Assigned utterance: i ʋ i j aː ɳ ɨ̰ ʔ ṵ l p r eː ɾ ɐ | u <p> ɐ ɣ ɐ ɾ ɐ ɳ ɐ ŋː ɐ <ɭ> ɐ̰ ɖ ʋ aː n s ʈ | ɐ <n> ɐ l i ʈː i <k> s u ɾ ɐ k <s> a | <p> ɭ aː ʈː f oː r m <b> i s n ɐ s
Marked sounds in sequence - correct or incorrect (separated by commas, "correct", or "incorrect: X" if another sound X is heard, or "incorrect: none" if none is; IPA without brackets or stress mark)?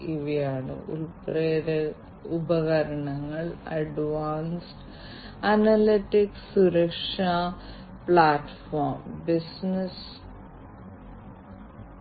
incorrect: b, correct, correct, correct, incorrect: ʂ, correct, correct